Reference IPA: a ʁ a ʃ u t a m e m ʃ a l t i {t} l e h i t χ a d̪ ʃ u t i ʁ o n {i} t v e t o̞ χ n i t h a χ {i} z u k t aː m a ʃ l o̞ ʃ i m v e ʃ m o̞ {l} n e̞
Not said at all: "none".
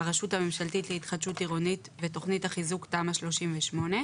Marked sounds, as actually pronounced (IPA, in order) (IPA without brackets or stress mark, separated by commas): t, i, i, none